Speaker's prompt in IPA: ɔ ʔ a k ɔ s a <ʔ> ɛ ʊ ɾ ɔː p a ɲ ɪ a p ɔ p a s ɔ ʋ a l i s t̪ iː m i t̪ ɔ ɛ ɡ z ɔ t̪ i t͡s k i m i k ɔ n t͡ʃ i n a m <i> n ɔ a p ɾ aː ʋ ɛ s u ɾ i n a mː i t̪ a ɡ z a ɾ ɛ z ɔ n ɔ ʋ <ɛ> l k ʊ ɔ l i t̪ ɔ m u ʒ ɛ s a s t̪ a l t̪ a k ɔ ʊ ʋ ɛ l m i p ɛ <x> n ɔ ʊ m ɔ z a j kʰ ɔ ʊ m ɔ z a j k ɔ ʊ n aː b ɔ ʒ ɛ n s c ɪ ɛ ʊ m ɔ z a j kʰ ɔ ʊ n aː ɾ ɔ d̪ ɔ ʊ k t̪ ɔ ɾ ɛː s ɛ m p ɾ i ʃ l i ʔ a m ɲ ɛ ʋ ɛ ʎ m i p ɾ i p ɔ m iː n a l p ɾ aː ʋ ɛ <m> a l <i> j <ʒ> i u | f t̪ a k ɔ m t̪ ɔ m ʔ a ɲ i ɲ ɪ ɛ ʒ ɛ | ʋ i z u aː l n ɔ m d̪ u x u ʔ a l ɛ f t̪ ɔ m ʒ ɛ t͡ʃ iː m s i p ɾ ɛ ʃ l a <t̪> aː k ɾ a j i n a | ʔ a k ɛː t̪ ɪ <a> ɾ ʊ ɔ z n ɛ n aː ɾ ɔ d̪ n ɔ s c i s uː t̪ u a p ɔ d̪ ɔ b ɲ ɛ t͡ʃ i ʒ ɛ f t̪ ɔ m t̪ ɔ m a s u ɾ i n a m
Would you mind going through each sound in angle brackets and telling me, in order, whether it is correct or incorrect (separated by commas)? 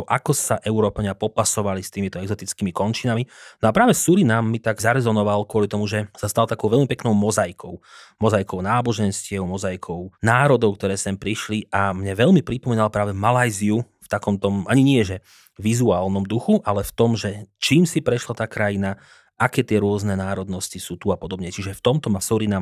correct, correct, incorrect, incorrect, correct, incorrect, incorrect, correct, incorrect